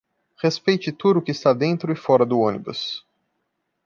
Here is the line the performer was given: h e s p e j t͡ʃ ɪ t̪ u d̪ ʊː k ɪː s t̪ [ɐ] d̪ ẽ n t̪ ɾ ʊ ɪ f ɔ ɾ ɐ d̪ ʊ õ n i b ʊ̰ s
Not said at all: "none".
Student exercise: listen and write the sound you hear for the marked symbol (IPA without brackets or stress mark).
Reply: a